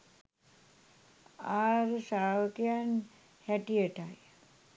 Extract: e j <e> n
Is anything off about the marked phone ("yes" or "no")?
yes